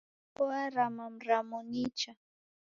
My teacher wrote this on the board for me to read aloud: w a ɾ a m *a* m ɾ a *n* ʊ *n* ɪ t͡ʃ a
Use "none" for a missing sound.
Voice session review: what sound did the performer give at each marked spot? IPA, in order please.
a, m, n

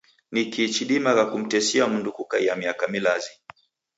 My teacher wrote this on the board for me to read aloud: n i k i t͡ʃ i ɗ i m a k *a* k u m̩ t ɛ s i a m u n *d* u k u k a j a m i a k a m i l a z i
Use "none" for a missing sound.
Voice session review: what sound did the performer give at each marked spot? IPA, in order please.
a, d

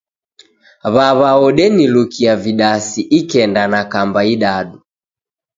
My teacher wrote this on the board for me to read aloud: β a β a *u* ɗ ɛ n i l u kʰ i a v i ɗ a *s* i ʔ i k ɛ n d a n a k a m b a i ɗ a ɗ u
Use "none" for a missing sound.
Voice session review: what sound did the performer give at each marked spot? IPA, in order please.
ɔ, s

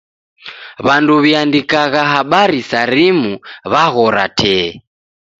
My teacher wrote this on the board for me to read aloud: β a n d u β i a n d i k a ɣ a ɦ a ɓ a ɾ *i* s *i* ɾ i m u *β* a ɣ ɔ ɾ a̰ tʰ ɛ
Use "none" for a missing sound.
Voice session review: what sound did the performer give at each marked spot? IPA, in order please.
i, a, β

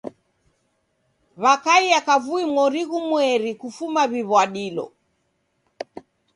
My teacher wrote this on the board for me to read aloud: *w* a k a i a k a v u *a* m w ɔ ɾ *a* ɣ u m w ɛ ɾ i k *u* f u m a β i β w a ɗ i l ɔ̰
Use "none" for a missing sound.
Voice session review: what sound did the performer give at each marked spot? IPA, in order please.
β, i, i, u

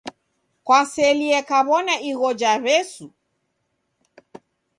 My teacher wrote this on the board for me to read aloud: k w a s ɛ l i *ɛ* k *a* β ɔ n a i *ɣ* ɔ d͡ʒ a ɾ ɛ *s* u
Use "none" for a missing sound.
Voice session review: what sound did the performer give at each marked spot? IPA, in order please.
ɛ, a, ɣ, s

